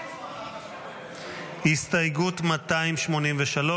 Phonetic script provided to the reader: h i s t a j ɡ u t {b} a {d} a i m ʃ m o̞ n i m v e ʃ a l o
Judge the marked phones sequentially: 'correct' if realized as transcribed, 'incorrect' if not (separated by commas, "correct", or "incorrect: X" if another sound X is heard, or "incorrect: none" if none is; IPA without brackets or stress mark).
incorrect: m, incorrect: t